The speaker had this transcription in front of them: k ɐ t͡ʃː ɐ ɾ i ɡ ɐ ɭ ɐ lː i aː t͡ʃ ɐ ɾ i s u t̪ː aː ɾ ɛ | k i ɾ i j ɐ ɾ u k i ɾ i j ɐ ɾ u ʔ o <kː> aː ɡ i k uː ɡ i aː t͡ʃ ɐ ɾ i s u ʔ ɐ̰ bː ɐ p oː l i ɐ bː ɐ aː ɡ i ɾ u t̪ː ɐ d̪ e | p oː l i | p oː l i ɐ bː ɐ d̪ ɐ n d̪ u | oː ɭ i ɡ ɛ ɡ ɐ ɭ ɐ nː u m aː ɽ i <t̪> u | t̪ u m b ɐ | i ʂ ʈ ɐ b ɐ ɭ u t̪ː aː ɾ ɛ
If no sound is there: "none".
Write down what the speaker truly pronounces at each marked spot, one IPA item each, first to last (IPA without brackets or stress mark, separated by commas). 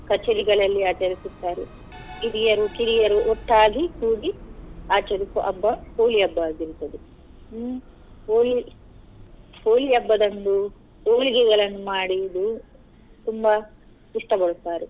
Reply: ʈː, d̪